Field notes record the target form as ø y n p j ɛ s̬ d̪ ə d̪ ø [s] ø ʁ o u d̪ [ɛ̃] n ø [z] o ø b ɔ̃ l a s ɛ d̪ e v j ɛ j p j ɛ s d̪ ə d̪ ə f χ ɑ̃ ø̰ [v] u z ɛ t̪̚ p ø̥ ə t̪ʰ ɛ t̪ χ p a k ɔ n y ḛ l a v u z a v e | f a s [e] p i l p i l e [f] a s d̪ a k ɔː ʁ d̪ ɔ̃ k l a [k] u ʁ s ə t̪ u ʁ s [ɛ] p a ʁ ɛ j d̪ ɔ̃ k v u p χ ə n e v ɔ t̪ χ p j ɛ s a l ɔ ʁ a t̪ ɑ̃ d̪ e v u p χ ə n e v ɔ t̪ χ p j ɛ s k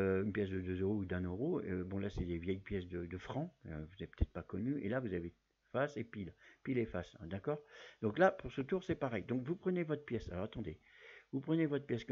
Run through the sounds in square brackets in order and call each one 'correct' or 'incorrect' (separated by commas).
incorrect, correct, incorrect, correct, correct, correct, incorrect, correct